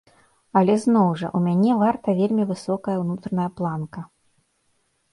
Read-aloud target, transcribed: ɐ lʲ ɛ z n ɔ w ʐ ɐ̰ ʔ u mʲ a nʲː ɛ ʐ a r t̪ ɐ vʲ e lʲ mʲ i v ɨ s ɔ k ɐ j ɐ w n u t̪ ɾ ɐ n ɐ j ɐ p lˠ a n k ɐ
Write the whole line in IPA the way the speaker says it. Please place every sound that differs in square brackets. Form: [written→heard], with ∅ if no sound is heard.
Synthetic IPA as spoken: ɐ lʲ ɛ z n ɔ w ʐ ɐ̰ ʔ u mʲ a [nʲː→nʲ] ɛ [ʐ→v] a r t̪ ɐ vʲ e lʲ mʲ i v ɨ s ɔ k ɐ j ɐ w n u t̪ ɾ ɐ n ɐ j ɐ p lˠ a n k ɐ